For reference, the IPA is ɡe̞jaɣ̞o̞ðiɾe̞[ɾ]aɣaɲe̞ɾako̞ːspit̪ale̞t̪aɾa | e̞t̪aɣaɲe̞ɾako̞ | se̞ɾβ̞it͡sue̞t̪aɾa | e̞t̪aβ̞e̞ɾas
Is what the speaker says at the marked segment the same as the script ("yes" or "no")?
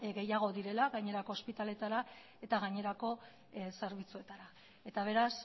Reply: no